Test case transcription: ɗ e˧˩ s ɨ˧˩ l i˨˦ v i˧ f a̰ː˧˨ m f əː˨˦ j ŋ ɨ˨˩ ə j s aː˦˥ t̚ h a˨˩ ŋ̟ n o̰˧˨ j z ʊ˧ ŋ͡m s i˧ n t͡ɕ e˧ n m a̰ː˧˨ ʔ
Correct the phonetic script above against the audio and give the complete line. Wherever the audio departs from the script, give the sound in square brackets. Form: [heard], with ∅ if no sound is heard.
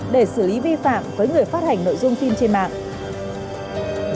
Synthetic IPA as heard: ɗ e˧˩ s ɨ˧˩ l i˨˦ v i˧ f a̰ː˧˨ m [v] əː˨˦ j ŋ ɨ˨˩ ə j [f] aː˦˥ t̚ h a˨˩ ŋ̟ n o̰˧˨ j z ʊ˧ ŋ͡m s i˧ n t͡ɕ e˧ n m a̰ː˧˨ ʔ

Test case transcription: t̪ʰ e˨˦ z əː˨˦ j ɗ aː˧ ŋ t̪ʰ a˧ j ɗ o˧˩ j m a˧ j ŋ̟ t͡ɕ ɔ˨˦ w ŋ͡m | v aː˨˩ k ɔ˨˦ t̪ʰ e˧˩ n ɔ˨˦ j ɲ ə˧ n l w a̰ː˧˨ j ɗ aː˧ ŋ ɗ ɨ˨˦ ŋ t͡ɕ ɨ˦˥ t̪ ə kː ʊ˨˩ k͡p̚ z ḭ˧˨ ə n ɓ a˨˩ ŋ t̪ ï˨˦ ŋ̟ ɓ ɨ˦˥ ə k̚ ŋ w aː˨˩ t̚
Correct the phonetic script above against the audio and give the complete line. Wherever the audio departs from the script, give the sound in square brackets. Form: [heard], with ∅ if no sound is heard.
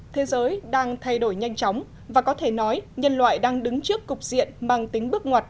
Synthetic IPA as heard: t̪ʰ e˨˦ z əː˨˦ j ɗ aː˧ ŋ t̪ʰ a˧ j ɗ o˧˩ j [ɲ] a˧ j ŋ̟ t͡ɕ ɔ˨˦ w ŋ͡m | v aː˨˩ k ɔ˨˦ t̪ʰ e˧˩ n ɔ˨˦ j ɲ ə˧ n l w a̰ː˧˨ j ɗ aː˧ ŋ ɗ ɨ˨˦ ŋ t͡ɕ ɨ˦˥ [∅] ə kː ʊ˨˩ k͡p̚ z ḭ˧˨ ə n ɓ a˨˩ ŋ t̪ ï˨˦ ŋ̟ ɓ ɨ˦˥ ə k̚ ŋ w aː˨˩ t̚

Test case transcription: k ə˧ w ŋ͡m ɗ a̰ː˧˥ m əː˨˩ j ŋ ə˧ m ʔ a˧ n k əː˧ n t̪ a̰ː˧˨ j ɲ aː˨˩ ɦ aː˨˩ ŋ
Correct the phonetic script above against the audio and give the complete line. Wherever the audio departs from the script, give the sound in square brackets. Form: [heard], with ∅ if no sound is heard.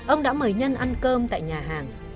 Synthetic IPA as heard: [ʔ] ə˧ w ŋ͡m ɗ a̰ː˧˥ m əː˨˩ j [ɲ] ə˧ [n] ʔ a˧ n k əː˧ [m] t̪ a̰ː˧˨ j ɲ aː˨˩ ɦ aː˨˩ ŋ

